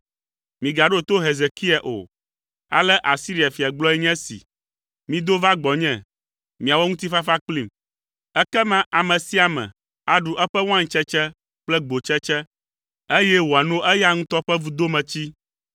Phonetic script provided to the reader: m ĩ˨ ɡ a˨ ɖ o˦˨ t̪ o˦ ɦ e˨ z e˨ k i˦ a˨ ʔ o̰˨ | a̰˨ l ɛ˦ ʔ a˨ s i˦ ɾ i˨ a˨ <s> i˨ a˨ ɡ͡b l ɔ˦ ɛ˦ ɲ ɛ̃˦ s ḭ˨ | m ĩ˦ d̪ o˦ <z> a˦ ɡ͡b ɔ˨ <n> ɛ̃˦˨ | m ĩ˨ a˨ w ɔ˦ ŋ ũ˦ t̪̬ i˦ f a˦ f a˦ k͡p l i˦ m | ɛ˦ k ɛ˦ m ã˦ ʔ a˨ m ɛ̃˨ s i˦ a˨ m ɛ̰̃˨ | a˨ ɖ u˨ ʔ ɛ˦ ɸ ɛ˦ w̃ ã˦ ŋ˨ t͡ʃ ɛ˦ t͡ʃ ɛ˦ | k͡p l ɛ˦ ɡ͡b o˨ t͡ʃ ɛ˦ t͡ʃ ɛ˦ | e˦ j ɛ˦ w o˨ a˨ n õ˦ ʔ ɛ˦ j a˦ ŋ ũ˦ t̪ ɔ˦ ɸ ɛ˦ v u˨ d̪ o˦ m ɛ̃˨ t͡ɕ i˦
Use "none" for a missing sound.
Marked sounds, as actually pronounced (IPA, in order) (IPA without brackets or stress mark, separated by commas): f, v, ɲ